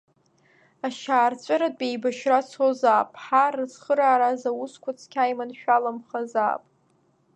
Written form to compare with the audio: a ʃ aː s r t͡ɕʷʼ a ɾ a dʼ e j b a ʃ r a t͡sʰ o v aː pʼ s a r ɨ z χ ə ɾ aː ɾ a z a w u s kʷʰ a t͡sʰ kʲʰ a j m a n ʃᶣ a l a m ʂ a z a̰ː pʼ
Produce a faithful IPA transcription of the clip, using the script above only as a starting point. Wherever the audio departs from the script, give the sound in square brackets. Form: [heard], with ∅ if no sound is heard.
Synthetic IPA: a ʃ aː [∅] r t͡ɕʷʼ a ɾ a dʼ e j b a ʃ r a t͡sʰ o [z] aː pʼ [ħ] a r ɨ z χ ə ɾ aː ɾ a z a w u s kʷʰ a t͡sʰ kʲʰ a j m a n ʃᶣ a l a m [χ] a z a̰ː pʼ